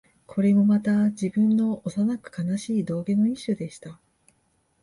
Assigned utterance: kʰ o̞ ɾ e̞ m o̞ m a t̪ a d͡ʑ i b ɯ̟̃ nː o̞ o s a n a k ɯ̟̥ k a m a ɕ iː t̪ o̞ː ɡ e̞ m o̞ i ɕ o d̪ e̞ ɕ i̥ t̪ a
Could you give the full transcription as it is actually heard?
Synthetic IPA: kʰ o̞ ɾ e̞ m o̞ m a t̪ a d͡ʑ i b ɯ̟̃ nː o̞ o s a n a k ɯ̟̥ k a n a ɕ iː d̪ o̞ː ɡ e̞ n o̞ i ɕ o d̪ e̞ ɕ i̥ t̪ a